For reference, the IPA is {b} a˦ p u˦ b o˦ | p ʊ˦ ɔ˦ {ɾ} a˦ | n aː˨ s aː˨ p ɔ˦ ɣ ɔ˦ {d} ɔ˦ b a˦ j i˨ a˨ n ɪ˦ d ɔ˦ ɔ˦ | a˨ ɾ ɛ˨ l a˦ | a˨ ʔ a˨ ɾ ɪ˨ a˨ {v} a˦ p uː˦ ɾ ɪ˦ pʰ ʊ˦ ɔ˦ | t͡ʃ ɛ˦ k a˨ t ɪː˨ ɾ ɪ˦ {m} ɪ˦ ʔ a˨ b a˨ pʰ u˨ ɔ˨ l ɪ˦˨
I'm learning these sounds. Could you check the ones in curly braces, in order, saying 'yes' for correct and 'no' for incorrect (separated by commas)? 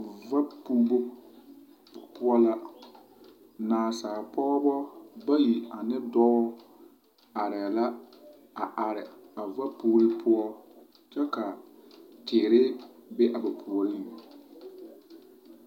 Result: no, no, no, yes, no